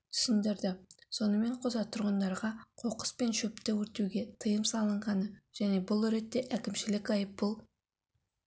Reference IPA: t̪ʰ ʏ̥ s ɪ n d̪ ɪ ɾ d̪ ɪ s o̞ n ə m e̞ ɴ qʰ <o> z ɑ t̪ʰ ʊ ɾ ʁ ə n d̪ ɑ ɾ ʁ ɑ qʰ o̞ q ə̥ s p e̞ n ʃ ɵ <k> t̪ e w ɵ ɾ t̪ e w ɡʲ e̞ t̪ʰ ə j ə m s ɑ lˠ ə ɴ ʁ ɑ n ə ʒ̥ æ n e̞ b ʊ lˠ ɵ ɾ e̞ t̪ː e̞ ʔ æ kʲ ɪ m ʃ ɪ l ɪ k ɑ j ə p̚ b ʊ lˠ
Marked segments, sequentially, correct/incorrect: correct, incorrect: p

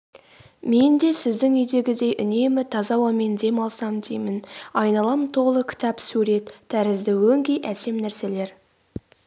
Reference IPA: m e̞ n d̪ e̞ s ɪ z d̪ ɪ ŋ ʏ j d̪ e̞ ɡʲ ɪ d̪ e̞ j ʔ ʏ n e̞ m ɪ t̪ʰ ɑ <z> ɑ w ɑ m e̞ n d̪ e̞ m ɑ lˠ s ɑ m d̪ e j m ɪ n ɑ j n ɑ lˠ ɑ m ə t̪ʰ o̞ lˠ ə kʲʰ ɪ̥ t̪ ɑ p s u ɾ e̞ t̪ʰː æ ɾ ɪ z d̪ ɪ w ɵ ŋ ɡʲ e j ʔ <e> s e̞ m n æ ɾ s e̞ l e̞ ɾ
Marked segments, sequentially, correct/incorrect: correct, incorrect: æ

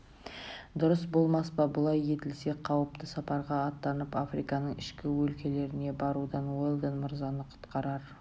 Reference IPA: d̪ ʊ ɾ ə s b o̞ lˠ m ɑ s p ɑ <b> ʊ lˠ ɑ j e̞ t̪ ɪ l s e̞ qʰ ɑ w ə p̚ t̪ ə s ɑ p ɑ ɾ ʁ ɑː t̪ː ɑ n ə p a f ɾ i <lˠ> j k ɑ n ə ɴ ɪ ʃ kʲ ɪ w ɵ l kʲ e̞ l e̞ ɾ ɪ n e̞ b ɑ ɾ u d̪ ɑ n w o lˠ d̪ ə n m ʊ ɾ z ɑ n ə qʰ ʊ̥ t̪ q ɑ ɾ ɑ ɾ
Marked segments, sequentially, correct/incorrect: correct, incorrect: none

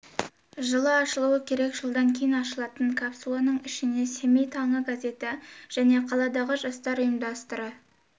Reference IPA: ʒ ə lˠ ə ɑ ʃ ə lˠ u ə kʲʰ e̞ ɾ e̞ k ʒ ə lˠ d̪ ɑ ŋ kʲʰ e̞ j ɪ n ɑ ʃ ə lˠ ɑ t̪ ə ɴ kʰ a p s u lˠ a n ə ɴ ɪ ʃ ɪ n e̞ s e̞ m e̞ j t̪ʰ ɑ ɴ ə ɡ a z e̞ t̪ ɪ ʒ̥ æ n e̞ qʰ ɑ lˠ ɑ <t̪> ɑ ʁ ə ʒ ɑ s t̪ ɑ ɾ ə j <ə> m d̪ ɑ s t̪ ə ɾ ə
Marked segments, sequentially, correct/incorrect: incorrect: d̪, correct

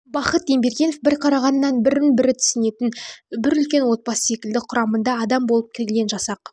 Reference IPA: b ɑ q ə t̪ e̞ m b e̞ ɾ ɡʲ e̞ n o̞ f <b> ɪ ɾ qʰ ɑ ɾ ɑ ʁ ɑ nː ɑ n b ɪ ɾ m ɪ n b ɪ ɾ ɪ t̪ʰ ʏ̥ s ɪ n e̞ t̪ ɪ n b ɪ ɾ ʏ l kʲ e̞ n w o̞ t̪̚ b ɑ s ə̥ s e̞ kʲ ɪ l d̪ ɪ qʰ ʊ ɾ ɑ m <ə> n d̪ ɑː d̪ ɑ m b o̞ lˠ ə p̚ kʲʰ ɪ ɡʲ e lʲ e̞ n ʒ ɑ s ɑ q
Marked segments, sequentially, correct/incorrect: correct, correct

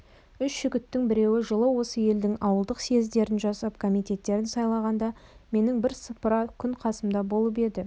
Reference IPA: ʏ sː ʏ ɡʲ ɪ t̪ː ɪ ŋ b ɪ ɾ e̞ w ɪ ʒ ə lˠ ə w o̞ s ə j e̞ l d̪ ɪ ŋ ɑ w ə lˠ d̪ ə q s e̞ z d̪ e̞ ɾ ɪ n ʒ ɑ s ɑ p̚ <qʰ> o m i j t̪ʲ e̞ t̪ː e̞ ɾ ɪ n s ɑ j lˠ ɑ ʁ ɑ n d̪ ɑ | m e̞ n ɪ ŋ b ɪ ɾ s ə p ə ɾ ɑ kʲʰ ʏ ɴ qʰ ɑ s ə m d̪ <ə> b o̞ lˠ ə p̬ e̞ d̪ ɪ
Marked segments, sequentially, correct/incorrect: incorrect: kʰ, incorrect: ɑ

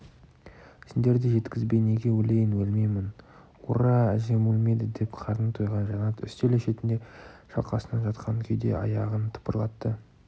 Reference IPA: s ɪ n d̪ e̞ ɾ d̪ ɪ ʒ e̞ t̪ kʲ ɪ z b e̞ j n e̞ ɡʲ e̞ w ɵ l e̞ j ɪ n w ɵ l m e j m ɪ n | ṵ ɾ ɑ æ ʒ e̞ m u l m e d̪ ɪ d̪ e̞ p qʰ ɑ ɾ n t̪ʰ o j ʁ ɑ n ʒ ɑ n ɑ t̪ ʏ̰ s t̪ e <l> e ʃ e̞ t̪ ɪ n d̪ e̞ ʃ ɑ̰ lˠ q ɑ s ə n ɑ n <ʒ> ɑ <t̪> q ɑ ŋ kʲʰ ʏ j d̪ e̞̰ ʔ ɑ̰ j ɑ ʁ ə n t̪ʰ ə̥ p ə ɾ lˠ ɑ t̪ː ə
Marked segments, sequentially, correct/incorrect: correct, correct, correct

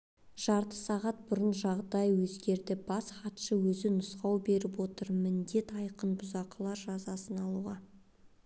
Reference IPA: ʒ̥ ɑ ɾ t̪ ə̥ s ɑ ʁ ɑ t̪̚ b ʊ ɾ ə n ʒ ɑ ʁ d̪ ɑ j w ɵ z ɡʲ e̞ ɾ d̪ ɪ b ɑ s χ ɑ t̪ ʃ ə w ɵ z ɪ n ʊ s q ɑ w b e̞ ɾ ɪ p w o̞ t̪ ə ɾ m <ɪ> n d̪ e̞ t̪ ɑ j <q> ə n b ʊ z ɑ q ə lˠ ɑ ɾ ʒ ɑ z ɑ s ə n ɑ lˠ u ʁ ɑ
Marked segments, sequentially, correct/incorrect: correct, correct

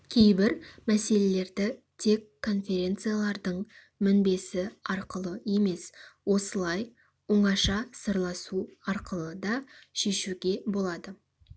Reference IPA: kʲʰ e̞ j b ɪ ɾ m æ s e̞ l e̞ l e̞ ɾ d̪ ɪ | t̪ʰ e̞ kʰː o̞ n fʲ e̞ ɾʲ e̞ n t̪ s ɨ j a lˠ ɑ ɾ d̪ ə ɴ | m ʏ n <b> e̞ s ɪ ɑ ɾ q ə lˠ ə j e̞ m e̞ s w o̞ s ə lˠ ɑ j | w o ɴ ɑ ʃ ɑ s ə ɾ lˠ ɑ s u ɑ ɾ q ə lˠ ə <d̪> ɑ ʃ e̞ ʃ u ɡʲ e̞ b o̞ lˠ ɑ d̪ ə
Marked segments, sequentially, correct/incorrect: correct, correct

